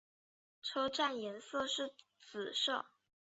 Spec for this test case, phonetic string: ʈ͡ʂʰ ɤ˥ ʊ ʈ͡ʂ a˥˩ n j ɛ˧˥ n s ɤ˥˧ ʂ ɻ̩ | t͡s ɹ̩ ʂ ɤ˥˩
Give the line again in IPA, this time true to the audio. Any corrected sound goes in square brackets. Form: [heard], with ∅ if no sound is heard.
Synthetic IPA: ʈ͡ʂʰ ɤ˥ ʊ ʈ͡ʂ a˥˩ n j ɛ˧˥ n s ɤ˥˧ ʂ ɻ̩ | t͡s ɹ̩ ʂ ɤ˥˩